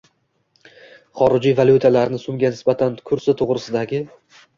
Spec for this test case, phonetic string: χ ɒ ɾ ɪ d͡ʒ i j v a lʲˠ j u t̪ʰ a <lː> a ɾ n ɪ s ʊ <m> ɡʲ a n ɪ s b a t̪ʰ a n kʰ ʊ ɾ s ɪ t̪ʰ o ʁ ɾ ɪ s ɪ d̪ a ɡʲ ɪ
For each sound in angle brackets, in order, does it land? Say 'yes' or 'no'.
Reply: no, yes

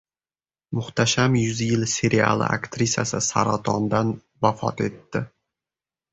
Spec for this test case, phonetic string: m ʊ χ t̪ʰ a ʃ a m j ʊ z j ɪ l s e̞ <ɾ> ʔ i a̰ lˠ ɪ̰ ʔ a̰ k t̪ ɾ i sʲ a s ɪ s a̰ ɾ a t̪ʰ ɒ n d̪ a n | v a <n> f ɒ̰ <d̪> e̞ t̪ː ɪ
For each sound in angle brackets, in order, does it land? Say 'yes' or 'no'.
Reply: yes, no, no

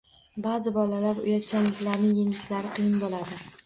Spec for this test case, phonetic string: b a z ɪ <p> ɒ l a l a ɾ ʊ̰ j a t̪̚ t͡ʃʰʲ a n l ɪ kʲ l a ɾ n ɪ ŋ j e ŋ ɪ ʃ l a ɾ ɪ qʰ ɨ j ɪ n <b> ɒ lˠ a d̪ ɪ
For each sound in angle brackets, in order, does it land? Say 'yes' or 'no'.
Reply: no, yes

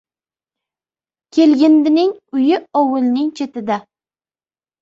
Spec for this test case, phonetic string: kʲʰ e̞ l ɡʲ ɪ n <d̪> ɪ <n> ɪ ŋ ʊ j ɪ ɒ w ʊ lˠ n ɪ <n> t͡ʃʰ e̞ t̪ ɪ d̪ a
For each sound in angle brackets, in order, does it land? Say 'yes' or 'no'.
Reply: yes, yes, no

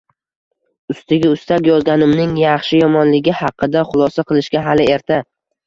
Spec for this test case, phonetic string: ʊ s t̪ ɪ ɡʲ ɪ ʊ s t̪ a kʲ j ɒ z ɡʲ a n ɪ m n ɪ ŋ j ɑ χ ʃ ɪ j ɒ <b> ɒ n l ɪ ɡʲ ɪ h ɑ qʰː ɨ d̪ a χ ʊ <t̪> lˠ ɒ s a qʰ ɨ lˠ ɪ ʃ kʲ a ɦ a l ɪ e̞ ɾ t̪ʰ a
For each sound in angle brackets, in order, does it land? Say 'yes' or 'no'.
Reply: no, no

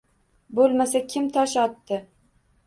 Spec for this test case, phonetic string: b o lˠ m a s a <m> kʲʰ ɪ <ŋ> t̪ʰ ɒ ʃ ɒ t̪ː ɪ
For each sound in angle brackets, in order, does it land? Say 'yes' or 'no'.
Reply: no, no

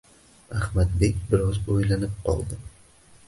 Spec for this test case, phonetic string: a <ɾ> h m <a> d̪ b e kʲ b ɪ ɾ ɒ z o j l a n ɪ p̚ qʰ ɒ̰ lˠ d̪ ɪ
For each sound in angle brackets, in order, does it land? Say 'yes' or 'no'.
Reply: no, yes

